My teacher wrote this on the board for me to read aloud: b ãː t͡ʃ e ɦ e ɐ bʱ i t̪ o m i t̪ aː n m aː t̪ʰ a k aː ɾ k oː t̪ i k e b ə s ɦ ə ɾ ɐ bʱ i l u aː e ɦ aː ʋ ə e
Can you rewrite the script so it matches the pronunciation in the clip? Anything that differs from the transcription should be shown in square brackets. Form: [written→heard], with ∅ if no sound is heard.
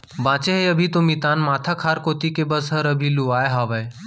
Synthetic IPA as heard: b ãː t͡ʃ e ɦ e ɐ bʱ i t̪ o m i t̪ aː n m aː t̪ʰ a [k→kʰ] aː ɾ k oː t̪ i k e b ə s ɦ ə ɾ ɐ bʱ i l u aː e ɦ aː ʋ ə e